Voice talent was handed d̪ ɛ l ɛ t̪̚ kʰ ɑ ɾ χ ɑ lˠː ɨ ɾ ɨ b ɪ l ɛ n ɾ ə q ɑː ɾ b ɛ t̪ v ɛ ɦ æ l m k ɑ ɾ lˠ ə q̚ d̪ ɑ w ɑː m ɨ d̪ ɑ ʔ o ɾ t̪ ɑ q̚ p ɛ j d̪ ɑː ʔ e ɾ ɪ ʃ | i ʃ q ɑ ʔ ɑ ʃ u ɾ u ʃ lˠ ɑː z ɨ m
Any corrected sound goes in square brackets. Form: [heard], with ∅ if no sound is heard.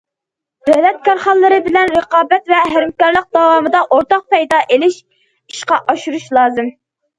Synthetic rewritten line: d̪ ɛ l ɛ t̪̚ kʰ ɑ ɾ χ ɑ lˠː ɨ ɾ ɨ b ɪ l ɛ n ɾ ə q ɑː [∅] b ɛ t̪ v ɛ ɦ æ [ɾ] m k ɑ ɾ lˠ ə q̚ d̪ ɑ w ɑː m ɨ d̪ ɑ ʔ o ɾ t̪ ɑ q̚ p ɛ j d̪ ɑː ʔ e [l] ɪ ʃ | i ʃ q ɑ ʔ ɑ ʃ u ɾ u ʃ lˠ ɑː z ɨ m